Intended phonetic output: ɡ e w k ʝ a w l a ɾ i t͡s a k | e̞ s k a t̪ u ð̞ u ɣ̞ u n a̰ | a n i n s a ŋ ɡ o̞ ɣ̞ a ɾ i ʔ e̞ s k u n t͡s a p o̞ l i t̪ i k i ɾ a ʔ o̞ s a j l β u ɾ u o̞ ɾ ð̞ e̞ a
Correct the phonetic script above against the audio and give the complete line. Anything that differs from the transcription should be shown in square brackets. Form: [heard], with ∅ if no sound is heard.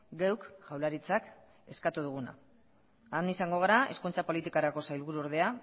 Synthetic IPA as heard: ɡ e w k ʝ a w l a ɾ i t͡s a k | e̞ s k a t̪ u ð̞ u ɣ̞ u n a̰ | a n i [∅] s a ŋ ɡ o̞ ɣ̞ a ɾ [a] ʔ e̞ s k u n t͡s a p o̞ l i t̪ i k [a] ɾ a [k] o̞ s a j l β u ɾ u o̞ ɾ ð̞ e̞ a